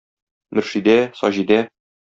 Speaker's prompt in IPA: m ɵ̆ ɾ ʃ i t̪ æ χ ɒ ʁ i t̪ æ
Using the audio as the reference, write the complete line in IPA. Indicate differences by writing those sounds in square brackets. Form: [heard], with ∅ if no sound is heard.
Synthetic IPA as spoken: m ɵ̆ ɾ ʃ i [d̪] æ [s] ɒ [ʑ] i [d̪] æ